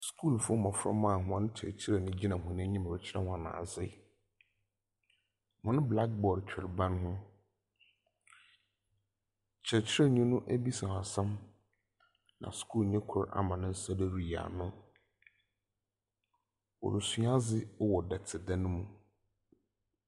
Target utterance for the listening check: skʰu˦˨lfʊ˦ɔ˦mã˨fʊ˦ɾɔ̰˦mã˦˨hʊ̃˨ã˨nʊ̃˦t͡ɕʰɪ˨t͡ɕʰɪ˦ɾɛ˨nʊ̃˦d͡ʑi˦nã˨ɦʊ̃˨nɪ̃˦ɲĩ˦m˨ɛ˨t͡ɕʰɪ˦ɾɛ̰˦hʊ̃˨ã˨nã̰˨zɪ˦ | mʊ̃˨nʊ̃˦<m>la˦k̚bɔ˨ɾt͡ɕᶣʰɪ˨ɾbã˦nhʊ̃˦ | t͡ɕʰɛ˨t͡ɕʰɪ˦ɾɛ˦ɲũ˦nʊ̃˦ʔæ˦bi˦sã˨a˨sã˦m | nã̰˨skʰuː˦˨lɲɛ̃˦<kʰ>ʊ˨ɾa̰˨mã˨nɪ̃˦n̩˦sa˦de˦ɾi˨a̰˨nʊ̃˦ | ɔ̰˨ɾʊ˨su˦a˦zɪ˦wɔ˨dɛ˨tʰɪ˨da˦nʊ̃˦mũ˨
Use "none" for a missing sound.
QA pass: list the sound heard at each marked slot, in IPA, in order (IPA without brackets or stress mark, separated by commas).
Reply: b, kʰ